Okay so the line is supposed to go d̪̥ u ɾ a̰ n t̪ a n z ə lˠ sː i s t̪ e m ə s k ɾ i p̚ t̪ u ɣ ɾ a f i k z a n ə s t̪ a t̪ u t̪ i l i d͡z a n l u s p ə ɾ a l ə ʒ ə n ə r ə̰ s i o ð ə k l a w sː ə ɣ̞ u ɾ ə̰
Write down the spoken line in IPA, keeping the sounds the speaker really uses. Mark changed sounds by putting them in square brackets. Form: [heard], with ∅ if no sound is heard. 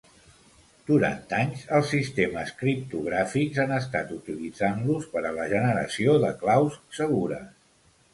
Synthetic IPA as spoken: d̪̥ u ɾ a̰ n t̪ a [ɲ] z ə lˠ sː i s t̪ e m ə s k ɾ i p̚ t̪ u ɣ ɾ a f i k z a n ə s t̪ a t̪ u t̪ i l i d͡z a n l u s p ə ɾ [ə] l ə ʒ ə n ə [ɾ] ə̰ s i o ð ə k l a w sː ə ɣ̞ u ɾ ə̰